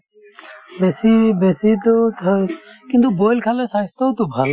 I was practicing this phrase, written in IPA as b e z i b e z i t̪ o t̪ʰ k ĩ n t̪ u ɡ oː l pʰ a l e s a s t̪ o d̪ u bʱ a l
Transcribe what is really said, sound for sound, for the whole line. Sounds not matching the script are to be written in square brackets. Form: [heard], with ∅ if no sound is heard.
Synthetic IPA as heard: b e [s] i b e [s] i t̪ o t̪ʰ k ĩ n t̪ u [b] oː l [kʰ] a l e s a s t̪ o [t̪] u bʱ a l